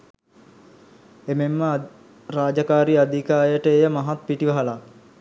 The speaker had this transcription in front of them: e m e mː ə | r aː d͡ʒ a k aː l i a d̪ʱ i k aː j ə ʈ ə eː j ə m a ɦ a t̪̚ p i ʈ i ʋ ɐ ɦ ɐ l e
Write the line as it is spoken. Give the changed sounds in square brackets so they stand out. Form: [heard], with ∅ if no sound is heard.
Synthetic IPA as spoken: e m e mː ə | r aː d͡ʒ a k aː [ɾ] i a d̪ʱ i k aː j ə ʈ ə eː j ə m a ɦ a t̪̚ p i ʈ i ʋ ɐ ɦ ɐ l [a]

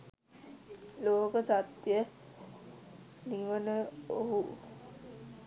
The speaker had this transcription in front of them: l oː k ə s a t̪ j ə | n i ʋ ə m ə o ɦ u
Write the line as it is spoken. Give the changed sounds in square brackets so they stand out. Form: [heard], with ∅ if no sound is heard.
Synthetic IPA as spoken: l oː k ə s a t̪ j ə | n i ʋ ə [n] ə o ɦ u

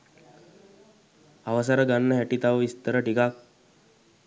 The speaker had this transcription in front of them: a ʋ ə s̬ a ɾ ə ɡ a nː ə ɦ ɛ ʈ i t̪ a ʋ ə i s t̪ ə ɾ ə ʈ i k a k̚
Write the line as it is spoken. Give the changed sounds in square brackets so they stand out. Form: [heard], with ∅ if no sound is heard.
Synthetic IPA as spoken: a ʋ ə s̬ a ɾ ə ɡ a nː ə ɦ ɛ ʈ i t̪ a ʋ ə i s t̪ ə ɾ ə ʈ i k a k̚

